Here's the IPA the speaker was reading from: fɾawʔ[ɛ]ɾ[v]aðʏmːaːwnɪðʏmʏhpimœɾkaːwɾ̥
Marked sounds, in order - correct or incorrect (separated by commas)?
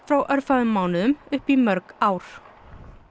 incorrect, incorrect